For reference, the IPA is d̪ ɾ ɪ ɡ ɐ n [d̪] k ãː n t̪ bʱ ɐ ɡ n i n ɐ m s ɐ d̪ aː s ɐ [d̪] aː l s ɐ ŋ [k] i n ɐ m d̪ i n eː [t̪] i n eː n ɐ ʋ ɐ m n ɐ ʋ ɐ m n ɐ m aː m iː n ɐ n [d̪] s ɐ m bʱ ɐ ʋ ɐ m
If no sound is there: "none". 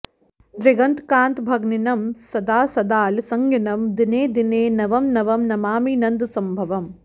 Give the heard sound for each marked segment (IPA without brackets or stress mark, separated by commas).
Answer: t̪, d̪, ɡ, d̪, d̪